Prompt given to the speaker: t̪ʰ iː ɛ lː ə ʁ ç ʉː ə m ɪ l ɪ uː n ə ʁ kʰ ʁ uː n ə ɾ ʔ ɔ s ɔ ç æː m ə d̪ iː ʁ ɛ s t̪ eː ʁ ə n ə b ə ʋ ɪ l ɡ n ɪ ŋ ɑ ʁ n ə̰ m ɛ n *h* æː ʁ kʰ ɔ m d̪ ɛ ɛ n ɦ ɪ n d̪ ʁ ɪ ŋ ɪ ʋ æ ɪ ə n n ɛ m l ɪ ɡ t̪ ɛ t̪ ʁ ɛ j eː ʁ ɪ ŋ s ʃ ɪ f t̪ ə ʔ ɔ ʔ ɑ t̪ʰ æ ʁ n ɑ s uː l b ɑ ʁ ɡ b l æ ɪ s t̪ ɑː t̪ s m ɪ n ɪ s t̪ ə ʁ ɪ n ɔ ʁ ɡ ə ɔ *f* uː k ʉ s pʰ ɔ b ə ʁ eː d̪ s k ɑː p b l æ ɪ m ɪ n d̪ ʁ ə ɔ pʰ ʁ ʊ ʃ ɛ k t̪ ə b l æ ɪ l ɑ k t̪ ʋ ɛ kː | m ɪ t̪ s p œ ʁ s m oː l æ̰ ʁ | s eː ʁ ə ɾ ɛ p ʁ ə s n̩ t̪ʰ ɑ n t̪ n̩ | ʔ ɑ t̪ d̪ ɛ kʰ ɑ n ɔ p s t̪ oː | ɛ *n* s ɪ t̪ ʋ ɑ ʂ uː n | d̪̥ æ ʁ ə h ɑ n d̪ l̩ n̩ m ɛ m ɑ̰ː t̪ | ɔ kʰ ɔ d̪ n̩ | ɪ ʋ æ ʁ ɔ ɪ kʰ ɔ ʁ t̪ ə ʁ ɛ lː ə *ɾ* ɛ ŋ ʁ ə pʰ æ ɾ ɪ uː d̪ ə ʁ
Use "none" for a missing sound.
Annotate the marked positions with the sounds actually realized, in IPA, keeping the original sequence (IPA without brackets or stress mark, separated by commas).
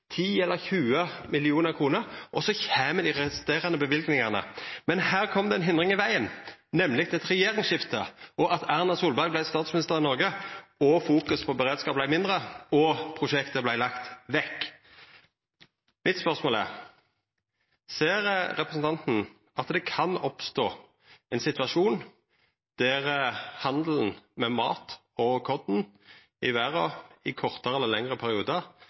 h, f, n, l